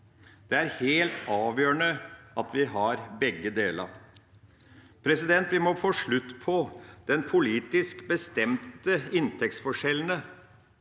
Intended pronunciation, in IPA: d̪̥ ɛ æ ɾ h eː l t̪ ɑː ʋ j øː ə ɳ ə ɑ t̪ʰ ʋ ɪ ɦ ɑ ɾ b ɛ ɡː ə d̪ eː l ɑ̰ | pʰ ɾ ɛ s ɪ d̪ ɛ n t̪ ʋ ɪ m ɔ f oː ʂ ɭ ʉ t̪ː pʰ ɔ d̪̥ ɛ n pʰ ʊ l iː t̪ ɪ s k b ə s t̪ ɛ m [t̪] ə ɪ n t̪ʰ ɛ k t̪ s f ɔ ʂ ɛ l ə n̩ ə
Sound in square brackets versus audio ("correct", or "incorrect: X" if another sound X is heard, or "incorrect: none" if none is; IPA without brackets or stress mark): correct